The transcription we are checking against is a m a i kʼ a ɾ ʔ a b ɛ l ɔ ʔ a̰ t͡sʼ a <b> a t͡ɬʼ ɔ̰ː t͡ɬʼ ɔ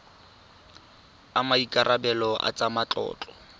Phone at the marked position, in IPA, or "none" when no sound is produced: m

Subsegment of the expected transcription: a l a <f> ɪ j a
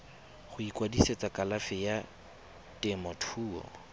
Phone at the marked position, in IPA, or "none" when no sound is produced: f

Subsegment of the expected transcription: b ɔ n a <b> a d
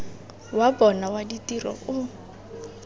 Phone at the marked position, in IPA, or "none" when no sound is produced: w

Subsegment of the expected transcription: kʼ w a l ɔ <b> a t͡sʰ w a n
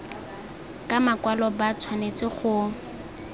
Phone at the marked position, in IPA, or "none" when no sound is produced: b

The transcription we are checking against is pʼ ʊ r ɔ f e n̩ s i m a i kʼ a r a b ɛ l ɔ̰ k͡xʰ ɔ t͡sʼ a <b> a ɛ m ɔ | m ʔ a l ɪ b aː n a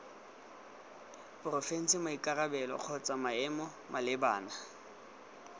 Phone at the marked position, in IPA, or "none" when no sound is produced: m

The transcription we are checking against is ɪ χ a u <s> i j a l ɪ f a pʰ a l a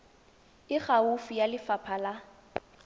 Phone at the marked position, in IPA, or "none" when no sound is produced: f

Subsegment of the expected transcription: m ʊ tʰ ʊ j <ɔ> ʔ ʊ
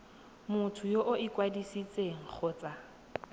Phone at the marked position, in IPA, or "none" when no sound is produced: o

